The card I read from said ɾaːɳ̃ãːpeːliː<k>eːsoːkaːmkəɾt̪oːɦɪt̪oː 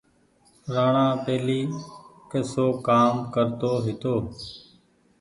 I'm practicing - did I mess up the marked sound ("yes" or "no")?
no